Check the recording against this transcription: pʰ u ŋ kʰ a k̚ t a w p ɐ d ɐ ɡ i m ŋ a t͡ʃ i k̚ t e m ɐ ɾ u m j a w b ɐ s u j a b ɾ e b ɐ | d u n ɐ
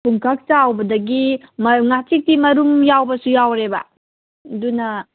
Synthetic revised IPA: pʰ u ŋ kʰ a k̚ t a w b ɐ d ɐ ɡ i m ŋ a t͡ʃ i k̚ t i m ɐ ɾ u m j a w b ɐ s u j a w ɾ e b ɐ | d u n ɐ